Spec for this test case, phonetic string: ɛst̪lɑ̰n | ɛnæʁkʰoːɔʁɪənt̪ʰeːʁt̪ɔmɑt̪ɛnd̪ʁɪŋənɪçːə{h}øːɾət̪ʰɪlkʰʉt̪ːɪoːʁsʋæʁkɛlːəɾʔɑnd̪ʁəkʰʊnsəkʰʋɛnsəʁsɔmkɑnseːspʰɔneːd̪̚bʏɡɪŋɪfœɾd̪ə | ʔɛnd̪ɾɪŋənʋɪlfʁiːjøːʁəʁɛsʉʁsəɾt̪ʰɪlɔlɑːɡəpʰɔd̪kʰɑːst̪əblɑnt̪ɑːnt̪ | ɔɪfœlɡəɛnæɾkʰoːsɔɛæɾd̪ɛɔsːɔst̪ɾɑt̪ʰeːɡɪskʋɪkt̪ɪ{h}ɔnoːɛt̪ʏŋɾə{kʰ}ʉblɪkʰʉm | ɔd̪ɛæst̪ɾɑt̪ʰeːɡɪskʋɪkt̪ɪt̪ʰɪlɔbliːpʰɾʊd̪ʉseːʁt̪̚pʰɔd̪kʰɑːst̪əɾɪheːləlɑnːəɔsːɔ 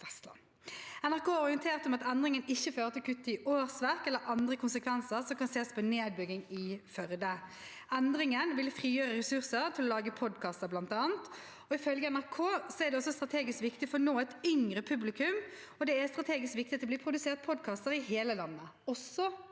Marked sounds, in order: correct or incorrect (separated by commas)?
incorrect, incorrect, incorrect